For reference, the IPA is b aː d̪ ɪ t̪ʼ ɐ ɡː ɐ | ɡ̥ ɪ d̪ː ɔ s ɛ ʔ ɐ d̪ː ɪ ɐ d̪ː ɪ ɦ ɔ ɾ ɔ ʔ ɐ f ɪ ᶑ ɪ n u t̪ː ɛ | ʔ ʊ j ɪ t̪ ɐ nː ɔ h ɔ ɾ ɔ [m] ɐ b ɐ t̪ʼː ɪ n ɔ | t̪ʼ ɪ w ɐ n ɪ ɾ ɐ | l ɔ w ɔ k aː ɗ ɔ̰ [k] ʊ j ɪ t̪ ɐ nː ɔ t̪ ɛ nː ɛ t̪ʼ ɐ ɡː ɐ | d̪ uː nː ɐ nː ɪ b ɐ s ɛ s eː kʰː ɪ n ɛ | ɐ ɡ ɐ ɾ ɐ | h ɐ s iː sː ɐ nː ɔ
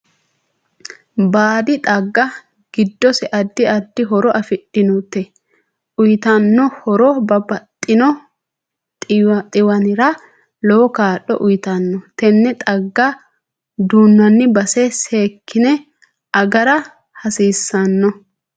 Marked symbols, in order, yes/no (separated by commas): no, no